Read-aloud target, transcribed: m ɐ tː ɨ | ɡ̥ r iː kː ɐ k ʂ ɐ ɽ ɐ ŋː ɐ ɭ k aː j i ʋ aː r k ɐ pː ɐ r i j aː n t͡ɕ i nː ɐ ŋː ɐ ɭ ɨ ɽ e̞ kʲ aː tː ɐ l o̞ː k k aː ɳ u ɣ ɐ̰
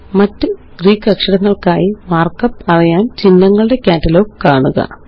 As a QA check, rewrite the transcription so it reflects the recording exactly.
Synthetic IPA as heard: m ɐ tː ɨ | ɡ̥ r iː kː ɐ k ʂ ɐ ɽ ɐ ŋː ɐ ɭ k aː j i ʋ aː r k ɐ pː ɐ r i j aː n t͡ɕ i nː ɐ ŋː ɐ ɭ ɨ ɽ e̞ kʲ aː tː ɐ l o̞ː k k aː ɳ u ɣ ɐ̰